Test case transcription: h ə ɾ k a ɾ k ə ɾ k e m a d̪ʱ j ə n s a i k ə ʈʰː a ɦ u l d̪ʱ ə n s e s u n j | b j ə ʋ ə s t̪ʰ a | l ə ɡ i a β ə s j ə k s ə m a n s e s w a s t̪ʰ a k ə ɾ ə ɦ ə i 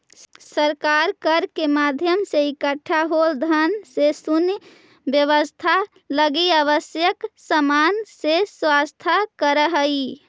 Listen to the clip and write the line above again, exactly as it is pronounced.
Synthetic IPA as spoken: s ə ɾ k a ɾ k ə ɾ k e m a d̪ʱ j ə m s e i k ə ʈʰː a ɦ o l d̪ʱ ə n s e s u n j | b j ə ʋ ə s t̪ʰ a | l ə ɡ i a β ə s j ə k s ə m a n s e s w a s t̪ʰ a k ə ɾ ə ɦ ə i